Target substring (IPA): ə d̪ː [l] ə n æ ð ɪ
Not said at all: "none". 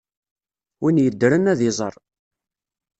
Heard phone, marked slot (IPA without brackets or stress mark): ɾ